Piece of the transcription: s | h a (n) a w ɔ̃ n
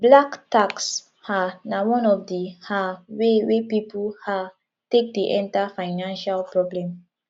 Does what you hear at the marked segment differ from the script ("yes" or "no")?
no